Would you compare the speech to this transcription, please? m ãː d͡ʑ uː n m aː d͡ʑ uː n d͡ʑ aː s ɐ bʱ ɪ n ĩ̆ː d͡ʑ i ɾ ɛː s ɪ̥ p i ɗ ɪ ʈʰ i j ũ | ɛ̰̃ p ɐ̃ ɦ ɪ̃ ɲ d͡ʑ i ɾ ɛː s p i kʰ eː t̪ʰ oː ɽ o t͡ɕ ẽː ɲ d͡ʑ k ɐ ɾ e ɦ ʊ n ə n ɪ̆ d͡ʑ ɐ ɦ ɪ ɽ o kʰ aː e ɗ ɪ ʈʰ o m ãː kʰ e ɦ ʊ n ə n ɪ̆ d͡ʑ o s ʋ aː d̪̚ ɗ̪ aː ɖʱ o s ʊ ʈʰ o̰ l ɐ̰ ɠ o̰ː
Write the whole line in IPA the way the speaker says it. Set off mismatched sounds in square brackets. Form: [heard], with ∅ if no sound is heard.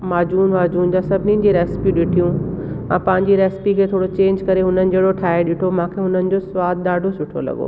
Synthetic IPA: m [aː] d͡ʑ uː n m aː d͡ʑ uː n d͡ʑ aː s ɐ bʱ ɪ n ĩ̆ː d͡ʑ i ɾ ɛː s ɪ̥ p i ɗ ɪ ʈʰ i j ũ | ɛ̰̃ p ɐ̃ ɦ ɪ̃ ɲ d͡ʑ i ɾ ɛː s p i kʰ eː t̪ʰ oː ɽ o t͡ɕ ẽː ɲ d͡ʑ k ɐ ɾ e ɦ ʊ n ə n ɪ̆ d͡ʑ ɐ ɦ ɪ ɽ o [ʈʰ] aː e ɗ ɪ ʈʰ o m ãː kʰ e ɦ ʊ n ə n ɪ̆ d͡ʑ o s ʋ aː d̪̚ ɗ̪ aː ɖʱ o s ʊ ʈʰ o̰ l ɐ̰ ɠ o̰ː